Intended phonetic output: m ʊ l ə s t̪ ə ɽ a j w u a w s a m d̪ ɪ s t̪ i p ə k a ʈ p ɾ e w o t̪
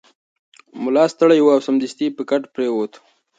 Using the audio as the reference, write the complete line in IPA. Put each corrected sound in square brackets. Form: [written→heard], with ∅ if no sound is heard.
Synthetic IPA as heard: m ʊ l [ə→ɑ] s t̪ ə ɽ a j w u a w s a m d̪ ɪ s t̪ i p ə k a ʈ p ɾ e w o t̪